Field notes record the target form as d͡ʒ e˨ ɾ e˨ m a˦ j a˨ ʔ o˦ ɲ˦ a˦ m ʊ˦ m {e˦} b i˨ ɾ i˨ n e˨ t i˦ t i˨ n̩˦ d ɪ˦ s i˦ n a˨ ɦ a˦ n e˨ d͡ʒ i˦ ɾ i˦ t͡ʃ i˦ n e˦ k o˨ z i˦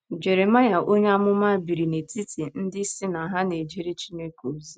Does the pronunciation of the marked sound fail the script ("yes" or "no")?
yes